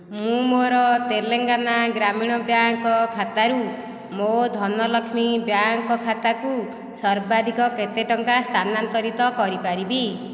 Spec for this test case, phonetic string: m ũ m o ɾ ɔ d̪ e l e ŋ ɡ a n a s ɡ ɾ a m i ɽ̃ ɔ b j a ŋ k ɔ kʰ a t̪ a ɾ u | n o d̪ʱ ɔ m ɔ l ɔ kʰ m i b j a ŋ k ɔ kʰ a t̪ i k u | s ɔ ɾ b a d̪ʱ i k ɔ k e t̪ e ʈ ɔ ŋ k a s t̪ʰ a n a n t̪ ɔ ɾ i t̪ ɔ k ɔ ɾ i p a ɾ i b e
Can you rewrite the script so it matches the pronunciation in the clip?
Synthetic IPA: m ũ m o ɾ ɔ t̪ e l e ŋ ɡ a n a ɡ ɾ a m i ɽ̃ ɔ b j a ŋ k ɔ kʰ a t̪ a ɾ u | m o d̪ʱ ɔ n ɔ l ɔ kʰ m i b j a ŋ k ɔ kʰ a t̪ a k u | s ɔ ɾ b a d̪ʱ i k ɔ k e t̪ e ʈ ɔ ŋ k a s t̪ʰ a n a n t̪ ɔ ɾ i t̪ ɔ k ɔ ɾ i p a ɾ i b i

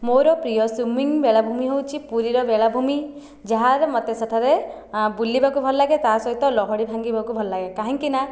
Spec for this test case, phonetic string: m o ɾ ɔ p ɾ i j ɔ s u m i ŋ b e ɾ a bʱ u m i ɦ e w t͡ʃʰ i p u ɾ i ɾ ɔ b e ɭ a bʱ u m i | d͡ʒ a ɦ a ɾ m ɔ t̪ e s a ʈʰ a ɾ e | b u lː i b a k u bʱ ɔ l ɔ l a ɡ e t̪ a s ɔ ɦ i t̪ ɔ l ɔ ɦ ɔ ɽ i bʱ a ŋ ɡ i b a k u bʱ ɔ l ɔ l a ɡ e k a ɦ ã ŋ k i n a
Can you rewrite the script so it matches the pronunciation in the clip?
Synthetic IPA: m o ɾ ɔ p ɾ i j ɔ s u m i ŋ b e ɭ a bʱ u m i ɦ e w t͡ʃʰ i p u ɾ i ɾ ɔ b e ɭ a bʱ u m i | d͡ʒ a ɦ a ɾ m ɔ t̪ e s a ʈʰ a ɾ e | b u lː i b a k u bʱ ɔ l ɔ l a ɡ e t̪ a s ɔ ɦ i t̪ ɔ l ɔ ɦ ɔ ɽ i bʱ a ŋ ɡ i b a k u bʱ ɔ l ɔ l a ɡ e k a ɦ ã ŋ k i n a

